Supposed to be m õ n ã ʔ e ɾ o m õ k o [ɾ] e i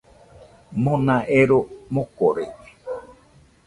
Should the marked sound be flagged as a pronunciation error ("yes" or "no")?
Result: no